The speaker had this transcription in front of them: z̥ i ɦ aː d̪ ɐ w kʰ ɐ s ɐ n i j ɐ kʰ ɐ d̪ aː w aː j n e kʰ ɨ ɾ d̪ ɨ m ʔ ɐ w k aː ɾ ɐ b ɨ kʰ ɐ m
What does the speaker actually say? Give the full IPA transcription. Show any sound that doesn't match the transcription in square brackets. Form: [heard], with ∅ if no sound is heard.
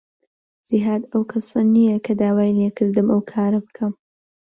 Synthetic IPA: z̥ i ɦ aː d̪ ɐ w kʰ ɐ s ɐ n i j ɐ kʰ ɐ d̪ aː w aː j n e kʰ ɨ ɾ d̪ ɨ m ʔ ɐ w [kʰ] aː ɾ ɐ b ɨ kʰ ɐ m